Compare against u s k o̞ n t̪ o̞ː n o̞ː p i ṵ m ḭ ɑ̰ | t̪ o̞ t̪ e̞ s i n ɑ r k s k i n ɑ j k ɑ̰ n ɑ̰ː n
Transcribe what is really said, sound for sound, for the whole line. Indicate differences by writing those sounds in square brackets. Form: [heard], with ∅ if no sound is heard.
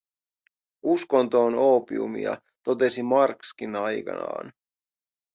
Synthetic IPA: u s k o̞ n t̪ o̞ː n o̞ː p i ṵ m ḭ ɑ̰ | t̪ o̞ t̪ e̞ s i [m] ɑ r k s k i n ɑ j k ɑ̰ n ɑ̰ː n

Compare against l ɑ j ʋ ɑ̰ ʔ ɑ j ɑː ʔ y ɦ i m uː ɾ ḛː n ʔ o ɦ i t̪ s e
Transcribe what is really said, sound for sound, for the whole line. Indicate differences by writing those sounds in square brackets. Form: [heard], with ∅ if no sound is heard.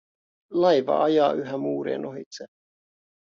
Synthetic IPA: l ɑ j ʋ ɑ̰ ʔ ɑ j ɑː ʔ y ɦ [æ] m uː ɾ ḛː n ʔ o ɦ i t̪ s e

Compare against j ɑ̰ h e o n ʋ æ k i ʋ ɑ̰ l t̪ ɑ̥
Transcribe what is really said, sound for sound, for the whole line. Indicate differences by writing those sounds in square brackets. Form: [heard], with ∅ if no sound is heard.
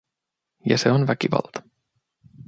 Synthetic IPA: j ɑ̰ [s] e o n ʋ æ k i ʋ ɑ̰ l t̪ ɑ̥

